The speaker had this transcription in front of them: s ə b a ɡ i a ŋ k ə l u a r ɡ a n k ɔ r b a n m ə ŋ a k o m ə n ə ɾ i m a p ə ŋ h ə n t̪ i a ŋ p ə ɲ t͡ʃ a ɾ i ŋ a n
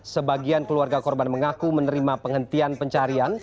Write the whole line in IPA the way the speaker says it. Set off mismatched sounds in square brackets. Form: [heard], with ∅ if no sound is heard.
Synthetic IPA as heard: s ə b a ɡ i a [n] k ə l u a r ɡ a [∅] k ɔ r b a n m ə ŋ a k [u] m ə n ə ɾ i m a p ə ŋ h ə n t̪ i a [n] p ə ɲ t͡ʃ a ɾ i [∅] a n